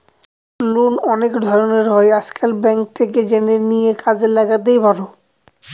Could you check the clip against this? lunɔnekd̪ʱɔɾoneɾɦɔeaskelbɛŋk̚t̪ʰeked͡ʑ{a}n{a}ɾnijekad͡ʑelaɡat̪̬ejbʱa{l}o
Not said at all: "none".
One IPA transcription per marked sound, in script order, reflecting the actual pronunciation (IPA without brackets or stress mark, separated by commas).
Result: e, e, ɾ